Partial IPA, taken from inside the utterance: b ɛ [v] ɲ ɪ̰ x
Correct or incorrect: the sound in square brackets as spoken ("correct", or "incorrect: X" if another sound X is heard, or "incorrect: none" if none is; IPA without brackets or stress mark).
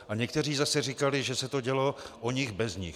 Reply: incorrect: z